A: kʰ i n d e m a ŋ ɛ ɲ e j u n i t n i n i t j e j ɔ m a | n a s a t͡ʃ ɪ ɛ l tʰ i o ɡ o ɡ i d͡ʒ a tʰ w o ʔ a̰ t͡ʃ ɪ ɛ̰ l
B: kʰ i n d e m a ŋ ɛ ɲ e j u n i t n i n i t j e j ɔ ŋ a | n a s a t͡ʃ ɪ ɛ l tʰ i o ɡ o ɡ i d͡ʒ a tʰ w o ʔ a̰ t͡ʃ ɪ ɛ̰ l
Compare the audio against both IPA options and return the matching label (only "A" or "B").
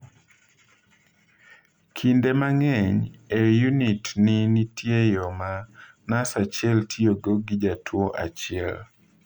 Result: A